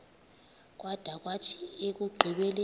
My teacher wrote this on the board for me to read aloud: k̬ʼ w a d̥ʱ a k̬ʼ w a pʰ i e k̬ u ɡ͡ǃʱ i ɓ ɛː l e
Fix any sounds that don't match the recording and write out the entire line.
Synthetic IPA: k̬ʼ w a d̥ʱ a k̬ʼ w a tʰ i e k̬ u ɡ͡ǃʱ i ɓ ɛ l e